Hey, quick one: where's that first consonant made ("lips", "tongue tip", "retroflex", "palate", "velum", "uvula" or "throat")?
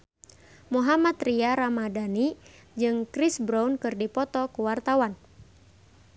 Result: lips